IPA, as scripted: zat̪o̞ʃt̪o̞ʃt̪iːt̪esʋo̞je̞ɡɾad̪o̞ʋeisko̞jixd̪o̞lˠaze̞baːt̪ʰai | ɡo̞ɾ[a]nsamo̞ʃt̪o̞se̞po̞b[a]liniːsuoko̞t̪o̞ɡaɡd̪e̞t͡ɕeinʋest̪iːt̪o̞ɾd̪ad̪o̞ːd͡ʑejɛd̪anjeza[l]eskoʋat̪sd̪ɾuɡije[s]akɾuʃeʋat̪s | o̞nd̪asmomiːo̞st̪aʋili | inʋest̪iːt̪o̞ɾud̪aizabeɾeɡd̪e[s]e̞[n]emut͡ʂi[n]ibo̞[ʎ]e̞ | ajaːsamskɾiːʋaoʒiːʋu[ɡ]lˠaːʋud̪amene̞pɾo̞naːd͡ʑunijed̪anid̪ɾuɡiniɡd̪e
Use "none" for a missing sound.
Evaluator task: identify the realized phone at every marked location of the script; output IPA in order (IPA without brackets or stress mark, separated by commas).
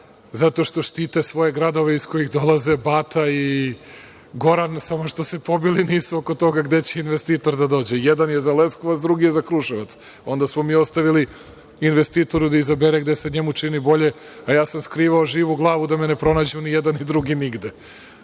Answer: a, i, l, z, s, ɲ, n, ʎ, ɡ